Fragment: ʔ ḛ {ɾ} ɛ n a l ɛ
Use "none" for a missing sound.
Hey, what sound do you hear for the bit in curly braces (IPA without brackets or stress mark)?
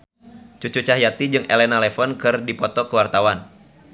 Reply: l